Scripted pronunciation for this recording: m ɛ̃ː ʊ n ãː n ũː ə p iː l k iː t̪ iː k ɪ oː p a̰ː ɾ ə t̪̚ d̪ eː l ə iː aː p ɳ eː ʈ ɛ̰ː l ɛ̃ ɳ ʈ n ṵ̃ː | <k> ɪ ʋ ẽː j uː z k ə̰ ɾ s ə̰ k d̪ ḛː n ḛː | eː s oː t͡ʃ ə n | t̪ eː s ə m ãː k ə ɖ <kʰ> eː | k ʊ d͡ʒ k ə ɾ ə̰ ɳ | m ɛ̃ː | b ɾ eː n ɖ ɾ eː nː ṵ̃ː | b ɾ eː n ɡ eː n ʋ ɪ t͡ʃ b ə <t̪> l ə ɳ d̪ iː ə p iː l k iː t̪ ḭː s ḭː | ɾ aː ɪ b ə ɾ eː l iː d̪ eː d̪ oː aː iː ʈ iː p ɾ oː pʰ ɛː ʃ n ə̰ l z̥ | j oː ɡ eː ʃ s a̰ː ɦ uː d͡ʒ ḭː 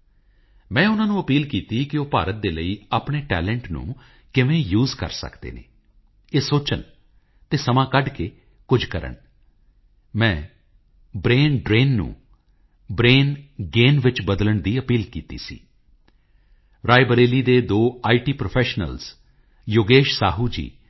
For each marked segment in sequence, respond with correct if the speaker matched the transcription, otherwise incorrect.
correct, incorrect: k, incorrect: d̪

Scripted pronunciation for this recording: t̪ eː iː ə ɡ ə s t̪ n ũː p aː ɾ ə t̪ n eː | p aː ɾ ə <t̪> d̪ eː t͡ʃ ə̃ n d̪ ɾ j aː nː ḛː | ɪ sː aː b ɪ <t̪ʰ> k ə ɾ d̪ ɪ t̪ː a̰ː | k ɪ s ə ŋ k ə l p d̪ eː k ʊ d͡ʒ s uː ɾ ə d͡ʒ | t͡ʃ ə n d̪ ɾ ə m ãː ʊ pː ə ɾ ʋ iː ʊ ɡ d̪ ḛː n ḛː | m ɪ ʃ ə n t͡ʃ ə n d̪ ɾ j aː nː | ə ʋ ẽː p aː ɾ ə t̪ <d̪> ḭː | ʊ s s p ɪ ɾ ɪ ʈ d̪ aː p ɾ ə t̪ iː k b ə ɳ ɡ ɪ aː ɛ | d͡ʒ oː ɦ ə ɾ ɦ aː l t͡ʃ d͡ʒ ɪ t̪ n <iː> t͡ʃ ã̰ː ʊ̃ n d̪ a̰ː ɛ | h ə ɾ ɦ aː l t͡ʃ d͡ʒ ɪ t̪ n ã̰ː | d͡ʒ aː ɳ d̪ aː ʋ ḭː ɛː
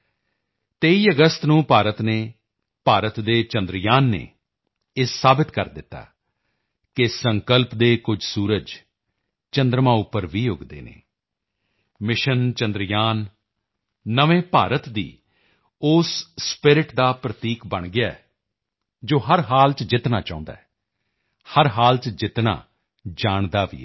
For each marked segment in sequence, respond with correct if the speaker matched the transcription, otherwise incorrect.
correct, incorrect: t̪, correct, incorrect: aː

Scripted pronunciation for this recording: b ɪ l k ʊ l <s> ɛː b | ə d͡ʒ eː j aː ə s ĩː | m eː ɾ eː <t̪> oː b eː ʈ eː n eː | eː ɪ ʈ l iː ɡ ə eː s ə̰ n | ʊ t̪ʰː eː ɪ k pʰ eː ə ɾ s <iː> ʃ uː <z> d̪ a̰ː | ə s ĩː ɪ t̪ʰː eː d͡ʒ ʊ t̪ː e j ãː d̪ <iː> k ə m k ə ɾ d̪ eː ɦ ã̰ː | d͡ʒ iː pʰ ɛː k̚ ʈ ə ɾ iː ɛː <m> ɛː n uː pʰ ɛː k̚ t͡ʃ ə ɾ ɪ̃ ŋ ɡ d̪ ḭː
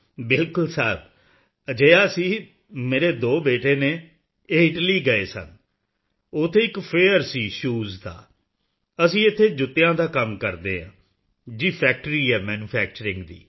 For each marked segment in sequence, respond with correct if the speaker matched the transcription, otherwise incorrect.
correct, incorrect: d̪, correct, correct, incorrect: aː, correct

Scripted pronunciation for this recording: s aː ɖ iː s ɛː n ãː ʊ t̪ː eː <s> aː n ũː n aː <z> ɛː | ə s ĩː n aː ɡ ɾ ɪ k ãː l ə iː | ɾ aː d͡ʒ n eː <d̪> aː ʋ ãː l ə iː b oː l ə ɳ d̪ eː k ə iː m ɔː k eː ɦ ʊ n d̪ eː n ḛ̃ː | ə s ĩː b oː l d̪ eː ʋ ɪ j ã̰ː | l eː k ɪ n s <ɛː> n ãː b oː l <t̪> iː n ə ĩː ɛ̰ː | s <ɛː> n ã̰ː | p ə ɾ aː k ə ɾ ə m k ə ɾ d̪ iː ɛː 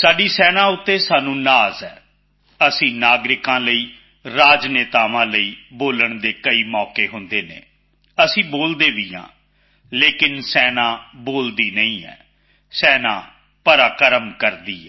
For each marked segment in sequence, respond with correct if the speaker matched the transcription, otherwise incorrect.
correct, correct, incorrect: t̪, correct, incorrect: d̪, correct

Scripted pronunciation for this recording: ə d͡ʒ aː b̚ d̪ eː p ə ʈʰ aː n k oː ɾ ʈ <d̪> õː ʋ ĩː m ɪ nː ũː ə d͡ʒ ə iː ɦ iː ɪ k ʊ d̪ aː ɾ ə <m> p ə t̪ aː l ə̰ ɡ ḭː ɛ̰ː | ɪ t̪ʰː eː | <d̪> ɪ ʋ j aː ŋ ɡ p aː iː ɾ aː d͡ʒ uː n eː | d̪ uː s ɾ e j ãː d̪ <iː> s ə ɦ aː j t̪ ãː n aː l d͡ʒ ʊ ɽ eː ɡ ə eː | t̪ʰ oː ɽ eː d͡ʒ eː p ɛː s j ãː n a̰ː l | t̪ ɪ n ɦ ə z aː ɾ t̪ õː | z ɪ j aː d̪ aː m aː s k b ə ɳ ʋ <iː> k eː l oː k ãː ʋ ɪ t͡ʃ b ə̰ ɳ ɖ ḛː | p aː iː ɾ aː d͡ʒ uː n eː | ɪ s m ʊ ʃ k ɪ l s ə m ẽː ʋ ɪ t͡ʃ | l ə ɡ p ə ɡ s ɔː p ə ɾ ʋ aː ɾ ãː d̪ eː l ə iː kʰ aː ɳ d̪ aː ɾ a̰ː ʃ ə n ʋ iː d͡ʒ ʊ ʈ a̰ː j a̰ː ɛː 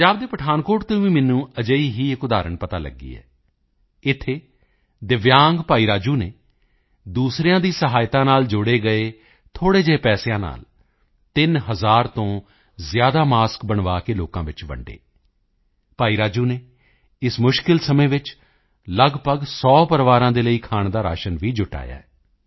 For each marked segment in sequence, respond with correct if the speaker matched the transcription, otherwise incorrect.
incorrect: t̪, incorrect: ɳ, correct, correct, incorrect: aː

